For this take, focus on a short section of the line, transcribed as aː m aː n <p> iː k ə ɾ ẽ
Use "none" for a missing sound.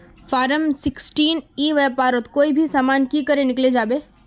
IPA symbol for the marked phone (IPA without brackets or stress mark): k